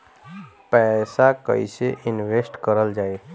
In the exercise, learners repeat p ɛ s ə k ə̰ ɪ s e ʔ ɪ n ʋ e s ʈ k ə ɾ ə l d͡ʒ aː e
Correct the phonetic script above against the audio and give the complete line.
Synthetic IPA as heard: p ɛ s a k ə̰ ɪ s e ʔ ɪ n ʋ e s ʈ k ə ɾ ə l d͡ʒ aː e

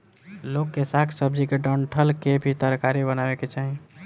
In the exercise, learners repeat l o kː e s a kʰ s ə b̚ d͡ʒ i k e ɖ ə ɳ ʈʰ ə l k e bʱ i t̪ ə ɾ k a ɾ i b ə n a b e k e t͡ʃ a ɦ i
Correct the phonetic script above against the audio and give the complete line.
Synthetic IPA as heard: l o kː e s a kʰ s ə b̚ d͡ʒ i k e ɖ ə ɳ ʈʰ ə l k e bʱ i t̪ ə ɾ k a ɾ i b ə n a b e k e t͡ʃ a ɦ i

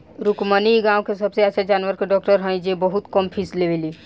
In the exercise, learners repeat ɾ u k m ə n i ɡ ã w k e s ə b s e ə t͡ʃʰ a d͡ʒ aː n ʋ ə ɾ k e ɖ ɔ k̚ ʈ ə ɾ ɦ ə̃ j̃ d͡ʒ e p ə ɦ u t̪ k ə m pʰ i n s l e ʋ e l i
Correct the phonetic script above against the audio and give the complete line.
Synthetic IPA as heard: ɾ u k m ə n i ɡ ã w k e s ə b s e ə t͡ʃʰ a d͡ʒ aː n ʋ ə ɾ k e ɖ ɔ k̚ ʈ ə ɾ ɦ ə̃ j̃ d͡ʒ e b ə ɦ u t̪ k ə m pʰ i s l e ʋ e l i

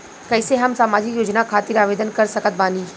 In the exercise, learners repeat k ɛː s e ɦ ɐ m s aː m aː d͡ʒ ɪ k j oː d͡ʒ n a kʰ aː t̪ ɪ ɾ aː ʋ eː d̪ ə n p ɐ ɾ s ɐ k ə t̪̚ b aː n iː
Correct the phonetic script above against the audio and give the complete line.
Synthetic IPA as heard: k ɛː s e ɦ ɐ m s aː m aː d͡ʒ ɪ k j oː d͡ʒ n a kʰ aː t̪ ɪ ɾ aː ʋ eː d̪ ə n k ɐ ɾ s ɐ k ə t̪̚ b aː n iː

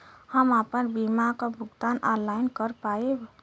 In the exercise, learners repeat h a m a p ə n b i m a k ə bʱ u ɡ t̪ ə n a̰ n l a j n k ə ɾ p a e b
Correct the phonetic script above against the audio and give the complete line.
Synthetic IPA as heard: h ə m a p ə n b i m a k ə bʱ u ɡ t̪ a n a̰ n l a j n k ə ɾ p a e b

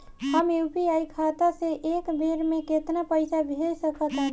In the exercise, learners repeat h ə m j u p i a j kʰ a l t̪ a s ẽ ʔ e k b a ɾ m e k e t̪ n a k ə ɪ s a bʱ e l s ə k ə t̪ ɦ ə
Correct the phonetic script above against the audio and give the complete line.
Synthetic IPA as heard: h ə m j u p i a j kʰ a t̪ a s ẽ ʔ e k b e ɾ m e k e t̪ n a p ə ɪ s a bʱ e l s ə k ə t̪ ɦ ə

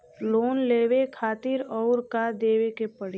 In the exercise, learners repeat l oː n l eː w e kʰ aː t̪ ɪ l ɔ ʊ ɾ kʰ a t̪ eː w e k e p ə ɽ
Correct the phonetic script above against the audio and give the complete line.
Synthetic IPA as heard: l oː n l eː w e kʰ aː t̪ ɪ ɾ ɔ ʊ ɾ k a d̪ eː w e k e p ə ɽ

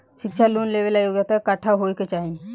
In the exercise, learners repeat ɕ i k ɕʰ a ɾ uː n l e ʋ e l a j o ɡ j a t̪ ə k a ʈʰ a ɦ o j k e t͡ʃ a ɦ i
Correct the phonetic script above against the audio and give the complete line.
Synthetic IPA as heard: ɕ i k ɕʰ a l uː n l e ʋ e l a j o ɡ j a t̪ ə k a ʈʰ a ɦ o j k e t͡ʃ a ɦ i

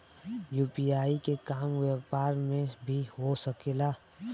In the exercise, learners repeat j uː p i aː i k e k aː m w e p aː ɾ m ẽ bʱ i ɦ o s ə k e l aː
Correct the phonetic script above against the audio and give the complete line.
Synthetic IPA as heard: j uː p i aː i k e k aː m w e p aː ɾ m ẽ bʱ i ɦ o s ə k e l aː

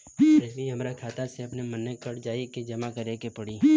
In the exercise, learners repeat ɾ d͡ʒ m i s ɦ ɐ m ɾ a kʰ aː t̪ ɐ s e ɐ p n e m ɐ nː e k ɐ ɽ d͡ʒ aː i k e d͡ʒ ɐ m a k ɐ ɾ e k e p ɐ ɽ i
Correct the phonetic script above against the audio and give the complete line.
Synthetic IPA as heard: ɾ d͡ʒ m i ɦ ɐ m ɾ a kʰ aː t̪ a s e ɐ p n e m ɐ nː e k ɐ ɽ d͡ʒ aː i k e d͡ʒ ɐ m a k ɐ ɾ e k e p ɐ ɽ i

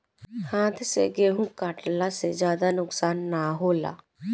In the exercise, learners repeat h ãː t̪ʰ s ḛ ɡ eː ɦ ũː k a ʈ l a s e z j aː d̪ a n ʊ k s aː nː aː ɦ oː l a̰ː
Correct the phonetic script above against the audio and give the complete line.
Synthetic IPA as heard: h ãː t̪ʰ s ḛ ɡ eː ɦ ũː k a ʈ l a s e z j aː d̪ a n ʊ k s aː nː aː ɦ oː l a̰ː

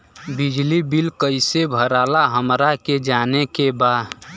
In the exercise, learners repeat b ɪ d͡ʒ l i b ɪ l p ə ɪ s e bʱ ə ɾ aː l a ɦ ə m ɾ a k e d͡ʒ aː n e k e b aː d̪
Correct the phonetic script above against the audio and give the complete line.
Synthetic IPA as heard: b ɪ d͡ʒ l i b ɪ l k ə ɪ s e bʱ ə ɾ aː l a ɦ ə m ɾ a k e d͡ʒ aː n e k e b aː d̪

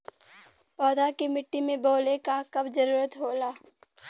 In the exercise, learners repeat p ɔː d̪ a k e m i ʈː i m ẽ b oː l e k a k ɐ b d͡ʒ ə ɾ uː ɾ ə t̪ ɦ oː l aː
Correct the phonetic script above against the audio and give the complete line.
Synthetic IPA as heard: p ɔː d̪ a k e m ɪ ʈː i m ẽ b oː l e k a k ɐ b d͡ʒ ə ɾ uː ɾ ə t̪ ɦ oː l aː

